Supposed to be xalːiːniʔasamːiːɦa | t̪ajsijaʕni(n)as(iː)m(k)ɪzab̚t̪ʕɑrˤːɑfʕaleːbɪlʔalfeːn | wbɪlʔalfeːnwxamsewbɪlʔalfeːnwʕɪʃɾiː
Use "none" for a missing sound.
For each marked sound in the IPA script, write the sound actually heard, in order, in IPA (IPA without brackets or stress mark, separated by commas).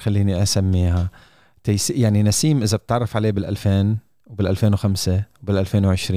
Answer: n, iː, ʔ